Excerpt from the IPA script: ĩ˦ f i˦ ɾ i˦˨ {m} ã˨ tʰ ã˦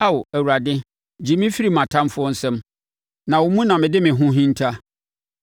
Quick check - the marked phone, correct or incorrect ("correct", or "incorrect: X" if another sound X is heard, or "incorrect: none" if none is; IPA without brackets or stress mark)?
correct